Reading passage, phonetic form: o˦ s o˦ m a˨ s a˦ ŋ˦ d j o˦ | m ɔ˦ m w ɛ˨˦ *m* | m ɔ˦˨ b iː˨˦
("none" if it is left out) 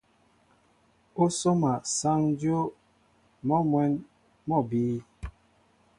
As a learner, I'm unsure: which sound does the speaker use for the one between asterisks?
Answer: n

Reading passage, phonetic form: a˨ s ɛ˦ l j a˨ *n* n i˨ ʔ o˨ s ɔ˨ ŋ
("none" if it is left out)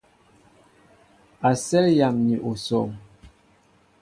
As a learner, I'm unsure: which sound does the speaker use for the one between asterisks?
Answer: m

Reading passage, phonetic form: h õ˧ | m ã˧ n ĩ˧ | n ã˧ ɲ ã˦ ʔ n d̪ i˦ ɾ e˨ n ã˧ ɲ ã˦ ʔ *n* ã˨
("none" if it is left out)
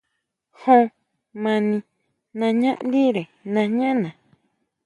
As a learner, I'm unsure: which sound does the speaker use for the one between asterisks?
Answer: n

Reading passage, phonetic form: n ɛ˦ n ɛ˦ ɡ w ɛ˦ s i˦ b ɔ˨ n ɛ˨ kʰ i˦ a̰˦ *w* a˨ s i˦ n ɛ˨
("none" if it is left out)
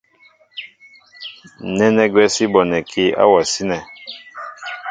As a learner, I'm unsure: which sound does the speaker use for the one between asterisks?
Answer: w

